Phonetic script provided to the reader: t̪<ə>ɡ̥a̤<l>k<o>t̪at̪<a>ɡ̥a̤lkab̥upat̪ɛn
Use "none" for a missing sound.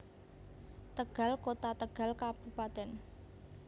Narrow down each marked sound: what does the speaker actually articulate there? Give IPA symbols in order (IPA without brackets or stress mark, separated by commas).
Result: ə, l, o, ə